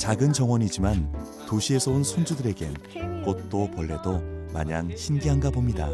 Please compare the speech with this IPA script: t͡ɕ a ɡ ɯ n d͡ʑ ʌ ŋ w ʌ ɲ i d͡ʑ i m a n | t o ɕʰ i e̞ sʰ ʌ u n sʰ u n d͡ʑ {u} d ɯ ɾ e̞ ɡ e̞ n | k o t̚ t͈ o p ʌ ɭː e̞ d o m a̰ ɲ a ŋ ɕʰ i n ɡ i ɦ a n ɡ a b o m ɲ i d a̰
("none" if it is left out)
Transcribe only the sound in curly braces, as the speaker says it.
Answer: u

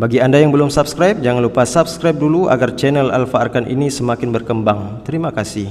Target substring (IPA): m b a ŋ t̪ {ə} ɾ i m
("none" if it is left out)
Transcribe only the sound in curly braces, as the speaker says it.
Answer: ə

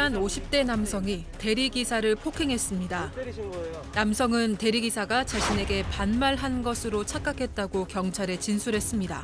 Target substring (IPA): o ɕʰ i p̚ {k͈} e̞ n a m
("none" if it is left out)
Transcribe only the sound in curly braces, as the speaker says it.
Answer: t͈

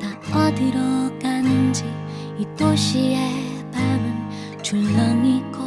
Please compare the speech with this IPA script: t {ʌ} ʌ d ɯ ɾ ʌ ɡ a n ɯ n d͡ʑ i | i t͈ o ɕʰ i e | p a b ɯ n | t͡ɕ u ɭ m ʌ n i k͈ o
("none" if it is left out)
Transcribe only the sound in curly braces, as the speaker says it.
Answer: a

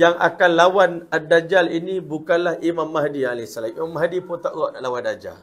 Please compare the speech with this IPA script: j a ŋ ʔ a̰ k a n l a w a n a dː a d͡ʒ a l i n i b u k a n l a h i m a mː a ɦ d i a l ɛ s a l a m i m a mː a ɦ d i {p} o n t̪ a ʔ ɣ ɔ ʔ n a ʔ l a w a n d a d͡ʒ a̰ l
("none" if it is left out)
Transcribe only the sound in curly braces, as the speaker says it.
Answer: p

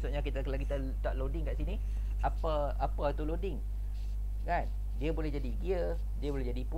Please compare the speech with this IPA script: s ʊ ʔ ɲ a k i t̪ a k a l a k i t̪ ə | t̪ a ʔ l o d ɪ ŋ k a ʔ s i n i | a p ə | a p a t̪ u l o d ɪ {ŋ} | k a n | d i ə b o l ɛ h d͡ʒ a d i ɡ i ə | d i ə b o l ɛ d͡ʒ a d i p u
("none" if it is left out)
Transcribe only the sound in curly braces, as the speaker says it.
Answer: ŋ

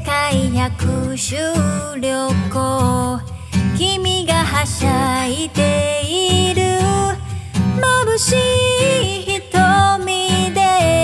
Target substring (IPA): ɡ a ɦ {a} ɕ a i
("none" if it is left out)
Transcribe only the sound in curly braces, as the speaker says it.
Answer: a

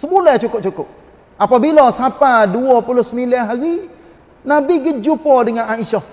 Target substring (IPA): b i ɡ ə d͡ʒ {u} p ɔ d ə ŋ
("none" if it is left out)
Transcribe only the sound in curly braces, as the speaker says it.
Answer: u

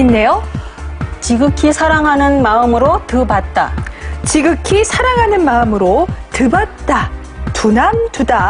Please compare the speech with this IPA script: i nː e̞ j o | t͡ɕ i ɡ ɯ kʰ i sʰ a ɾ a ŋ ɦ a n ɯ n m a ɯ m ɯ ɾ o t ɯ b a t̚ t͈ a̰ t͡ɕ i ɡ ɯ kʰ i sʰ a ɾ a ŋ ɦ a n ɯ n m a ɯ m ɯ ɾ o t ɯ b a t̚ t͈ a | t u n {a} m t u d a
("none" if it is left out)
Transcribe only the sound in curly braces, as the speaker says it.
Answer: a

